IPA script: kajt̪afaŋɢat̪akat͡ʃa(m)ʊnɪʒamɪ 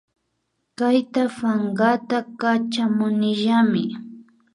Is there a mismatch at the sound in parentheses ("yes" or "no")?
no